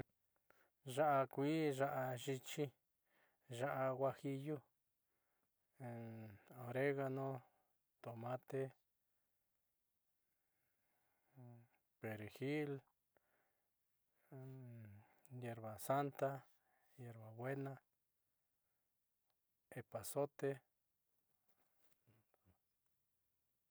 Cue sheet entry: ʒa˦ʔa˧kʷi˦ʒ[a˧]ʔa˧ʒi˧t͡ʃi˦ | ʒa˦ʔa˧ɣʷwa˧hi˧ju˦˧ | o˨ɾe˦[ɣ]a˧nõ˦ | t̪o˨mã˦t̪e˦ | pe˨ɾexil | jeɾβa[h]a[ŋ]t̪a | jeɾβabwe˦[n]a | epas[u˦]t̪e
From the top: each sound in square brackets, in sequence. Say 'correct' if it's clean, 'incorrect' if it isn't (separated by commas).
correct, correct, incorrect, incorrect, correct, incorrect